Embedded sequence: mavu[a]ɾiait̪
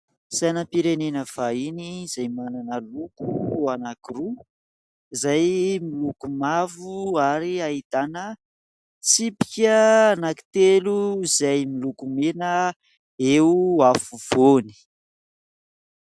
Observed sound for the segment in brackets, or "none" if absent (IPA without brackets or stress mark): a